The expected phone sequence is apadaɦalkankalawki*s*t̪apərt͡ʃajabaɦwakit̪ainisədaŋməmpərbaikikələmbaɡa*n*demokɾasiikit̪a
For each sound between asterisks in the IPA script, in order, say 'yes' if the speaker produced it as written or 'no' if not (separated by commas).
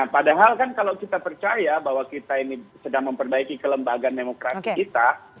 no, yes